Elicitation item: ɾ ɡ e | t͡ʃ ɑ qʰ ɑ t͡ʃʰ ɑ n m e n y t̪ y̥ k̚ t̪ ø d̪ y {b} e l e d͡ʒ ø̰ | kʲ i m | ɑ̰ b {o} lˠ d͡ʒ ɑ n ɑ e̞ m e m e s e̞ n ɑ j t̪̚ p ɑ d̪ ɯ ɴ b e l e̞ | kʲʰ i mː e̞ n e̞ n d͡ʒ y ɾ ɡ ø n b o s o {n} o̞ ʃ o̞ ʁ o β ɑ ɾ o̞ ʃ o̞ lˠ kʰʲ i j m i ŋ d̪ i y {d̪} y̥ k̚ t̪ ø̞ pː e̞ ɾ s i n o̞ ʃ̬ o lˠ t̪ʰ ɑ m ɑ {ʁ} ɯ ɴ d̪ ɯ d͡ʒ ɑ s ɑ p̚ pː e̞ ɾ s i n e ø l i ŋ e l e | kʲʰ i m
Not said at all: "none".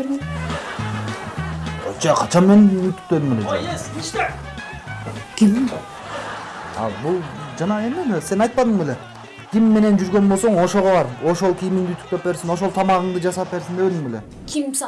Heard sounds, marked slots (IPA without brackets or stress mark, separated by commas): m, u, ɴ, t̪, ʁ